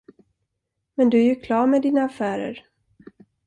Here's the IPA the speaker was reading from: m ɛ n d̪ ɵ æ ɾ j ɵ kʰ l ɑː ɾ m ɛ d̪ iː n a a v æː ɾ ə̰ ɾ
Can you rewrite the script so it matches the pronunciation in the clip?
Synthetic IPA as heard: m ɛ n d̪ ɵ æ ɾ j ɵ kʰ l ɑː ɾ m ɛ d̪ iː n a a f æː ɾ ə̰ ɾ